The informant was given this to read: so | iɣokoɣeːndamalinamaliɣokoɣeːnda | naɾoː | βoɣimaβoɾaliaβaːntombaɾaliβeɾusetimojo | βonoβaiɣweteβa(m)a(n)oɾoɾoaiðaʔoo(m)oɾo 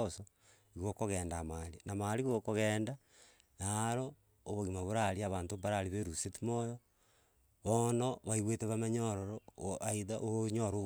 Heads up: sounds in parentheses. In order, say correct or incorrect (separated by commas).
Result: correct, incorrect, incorrect